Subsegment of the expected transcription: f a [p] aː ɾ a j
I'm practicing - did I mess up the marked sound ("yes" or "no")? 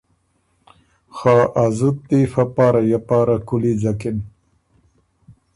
no